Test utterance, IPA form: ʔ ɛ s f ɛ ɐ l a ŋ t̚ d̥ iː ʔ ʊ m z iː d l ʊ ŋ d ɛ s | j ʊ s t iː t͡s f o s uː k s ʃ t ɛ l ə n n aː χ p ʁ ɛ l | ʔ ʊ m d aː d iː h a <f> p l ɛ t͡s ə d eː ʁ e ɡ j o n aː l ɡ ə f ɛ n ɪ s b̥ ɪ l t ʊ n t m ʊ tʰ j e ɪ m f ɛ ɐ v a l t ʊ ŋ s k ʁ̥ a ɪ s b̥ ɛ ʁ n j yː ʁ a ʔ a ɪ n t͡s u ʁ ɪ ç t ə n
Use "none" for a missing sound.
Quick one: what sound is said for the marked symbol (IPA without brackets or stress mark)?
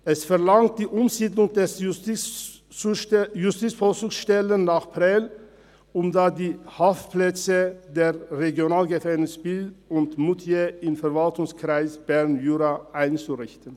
f